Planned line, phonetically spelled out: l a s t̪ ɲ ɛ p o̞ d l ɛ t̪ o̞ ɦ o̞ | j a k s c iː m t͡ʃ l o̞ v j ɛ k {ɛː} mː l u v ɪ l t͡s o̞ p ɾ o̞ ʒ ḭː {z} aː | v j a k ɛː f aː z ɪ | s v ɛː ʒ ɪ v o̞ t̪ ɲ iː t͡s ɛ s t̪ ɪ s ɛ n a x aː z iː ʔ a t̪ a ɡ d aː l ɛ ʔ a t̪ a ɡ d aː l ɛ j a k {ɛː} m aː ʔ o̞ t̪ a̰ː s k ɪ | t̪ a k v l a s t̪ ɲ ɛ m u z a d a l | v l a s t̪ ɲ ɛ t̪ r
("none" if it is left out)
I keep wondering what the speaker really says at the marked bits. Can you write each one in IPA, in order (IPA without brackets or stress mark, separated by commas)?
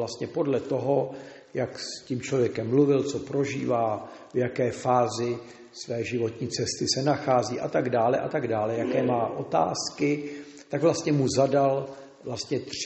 ɛ, v, ɛː